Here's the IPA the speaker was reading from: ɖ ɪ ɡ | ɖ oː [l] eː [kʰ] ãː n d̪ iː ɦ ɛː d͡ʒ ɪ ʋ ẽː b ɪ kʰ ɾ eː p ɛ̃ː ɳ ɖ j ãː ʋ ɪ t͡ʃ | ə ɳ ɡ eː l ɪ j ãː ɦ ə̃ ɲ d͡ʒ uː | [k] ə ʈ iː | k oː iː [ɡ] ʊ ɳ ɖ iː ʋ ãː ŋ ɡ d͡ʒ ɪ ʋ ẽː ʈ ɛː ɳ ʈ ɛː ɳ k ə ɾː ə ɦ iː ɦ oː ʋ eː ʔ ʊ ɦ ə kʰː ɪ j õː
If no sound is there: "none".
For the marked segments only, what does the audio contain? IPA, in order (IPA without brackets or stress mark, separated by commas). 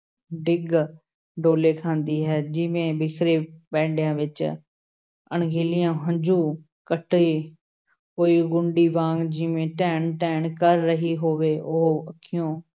l, kʰ, k, ɡ